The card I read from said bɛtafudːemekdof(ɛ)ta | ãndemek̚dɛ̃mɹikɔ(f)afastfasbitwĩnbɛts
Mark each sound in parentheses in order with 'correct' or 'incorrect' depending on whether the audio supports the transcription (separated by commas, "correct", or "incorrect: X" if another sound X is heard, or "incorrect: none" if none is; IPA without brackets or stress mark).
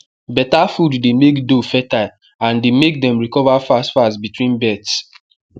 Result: correct, incorrect: v